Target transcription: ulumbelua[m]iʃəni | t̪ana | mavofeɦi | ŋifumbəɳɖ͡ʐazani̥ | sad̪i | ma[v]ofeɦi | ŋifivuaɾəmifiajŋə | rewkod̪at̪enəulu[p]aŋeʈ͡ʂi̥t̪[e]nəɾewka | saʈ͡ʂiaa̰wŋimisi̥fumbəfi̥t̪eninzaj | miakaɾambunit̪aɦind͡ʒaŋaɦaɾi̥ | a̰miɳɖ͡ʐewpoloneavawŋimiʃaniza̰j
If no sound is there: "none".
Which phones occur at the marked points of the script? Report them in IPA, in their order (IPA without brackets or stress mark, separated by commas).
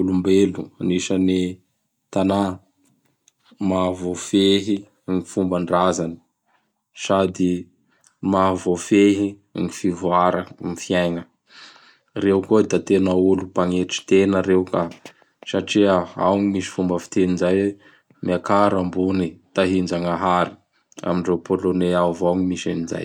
n, v, p, e